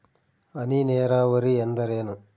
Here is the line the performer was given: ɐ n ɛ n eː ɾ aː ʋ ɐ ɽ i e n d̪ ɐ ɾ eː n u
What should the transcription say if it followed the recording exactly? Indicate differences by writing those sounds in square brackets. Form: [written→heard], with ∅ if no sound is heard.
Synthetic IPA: ɐ n [ɛ→i] n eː ɾ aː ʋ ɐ [ɽ→ɾ] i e n d̪ ɐ ɾ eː n u